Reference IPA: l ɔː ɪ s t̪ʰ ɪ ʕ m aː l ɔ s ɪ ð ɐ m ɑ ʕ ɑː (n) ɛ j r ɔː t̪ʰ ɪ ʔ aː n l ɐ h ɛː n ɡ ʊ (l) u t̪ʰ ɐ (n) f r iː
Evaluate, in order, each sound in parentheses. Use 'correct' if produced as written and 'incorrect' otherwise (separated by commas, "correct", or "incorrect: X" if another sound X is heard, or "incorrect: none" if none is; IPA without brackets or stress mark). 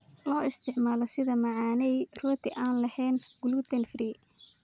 correct, correct, correct